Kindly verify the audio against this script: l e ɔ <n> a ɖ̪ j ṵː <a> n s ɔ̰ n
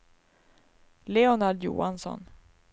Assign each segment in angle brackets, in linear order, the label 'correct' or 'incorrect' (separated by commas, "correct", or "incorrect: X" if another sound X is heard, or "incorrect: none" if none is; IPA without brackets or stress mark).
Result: correct, correct